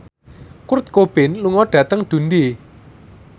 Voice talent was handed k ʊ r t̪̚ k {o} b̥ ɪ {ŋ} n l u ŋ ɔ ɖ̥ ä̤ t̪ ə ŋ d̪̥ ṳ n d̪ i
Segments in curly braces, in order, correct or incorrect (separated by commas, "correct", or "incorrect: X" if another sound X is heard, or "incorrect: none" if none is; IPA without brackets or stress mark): correct, incorrect: none